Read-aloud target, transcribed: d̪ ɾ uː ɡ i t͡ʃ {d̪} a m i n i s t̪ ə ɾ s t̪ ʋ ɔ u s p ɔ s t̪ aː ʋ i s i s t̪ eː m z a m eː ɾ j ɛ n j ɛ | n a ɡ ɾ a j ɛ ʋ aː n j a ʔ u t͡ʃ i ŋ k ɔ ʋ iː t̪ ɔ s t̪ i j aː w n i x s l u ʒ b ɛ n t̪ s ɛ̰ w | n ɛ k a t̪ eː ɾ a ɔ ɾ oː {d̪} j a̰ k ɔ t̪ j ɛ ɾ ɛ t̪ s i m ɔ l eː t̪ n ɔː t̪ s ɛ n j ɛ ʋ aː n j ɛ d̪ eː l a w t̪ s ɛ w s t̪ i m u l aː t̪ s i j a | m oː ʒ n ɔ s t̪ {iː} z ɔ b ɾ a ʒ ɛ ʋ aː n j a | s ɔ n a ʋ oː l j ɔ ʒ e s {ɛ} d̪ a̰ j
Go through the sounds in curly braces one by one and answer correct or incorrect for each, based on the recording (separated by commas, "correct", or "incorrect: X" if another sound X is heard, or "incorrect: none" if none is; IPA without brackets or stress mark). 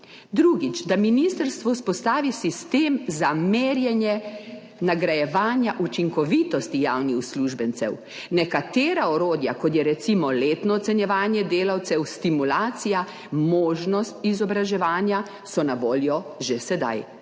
correct, correct, incorrect: i, correct